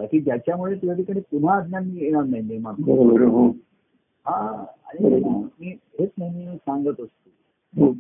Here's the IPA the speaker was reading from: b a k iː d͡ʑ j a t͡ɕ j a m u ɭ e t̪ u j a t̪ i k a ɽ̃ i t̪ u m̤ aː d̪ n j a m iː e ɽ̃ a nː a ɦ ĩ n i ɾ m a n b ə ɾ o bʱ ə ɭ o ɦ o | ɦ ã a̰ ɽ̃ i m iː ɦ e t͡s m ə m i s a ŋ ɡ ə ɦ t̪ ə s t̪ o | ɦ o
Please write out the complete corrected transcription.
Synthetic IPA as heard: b a k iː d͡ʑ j a t͡ɕ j a m u ɭ e t̪ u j a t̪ i k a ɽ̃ i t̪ u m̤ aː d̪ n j a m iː e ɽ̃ a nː a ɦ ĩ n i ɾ m a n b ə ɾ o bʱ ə ɾ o ɦ o | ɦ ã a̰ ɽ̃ i m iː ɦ e t͡s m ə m i s a ŋ ɡ ə t̪ ə s t̪ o | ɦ o